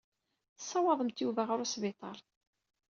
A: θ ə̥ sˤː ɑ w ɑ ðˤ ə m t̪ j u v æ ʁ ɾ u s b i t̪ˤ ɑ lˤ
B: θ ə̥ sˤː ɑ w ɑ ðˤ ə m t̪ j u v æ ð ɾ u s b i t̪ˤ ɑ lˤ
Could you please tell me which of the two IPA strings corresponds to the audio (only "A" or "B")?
A